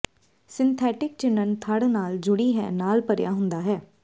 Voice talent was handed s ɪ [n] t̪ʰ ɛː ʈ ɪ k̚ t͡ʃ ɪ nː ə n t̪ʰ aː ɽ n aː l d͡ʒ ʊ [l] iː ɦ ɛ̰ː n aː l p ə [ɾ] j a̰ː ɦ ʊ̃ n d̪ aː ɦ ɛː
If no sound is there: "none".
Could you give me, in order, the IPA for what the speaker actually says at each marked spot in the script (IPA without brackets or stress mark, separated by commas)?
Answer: n, ɽ, ɾ